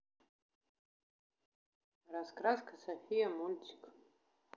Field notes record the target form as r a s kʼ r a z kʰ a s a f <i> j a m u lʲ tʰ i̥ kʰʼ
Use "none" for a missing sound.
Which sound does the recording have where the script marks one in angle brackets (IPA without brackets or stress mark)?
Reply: i